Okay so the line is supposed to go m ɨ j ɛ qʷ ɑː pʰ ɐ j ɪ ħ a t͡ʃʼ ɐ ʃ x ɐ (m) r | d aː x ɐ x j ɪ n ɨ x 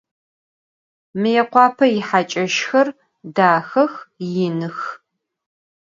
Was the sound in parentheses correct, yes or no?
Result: no